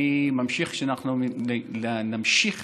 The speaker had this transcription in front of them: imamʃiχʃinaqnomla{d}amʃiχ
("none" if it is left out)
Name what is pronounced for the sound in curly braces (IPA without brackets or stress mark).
n